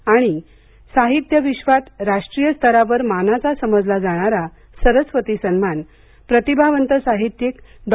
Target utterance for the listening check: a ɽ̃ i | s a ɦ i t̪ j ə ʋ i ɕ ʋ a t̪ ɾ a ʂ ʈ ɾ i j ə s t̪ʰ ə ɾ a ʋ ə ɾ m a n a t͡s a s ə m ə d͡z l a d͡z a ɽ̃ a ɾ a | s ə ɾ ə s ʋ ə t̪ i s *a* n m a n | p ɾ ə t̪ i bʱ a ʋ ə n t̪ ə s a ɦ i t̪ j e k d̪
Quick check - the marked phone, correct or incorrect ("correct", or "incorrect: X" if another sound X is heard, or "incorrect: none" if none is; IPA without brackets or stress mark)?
incorrect: ə